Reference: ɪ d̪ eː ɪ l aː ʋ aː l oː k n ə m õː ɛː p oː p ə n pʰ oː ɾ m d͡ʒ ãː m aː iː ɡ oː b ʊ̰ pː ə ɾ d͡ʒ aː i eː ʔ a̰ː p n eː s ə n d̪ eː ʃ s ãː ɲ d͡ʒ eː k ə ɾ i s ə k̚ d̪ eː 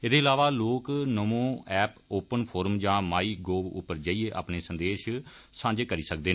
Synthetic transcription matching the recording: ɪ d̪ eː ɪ l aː ʋ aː l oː k n ə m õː ɛː p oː p ə n pʰ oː ɾ m d͡ʒ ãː m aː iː ɡ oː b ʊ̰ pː ə ɾ d͡ʒ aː i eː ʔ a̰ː p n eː s ə n d̪ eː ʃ s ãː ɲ d͡ʒ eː k ə ɾ iː s ə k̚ d̪ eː